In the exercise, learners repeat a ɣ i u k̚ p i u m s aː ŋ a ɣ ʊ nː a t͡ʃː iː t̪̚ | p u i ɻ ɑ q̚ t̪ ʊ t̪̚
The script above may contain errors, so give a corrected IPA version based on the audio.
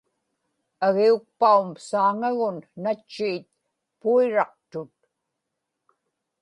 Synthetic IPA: a ɣ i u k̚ p a u m s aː ŋ a ɣ ʊ nː a t͡ʃː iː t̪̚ | p u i ɻ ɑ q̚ t̪ ʊ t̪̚